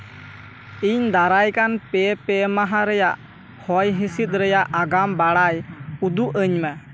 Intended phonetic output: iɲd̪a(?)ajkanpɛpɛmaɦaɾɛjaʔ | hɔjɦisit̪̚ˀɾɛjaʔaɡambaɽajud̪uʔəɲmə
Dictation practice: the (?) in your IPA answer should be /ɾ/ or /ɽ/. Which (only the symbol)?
ɾ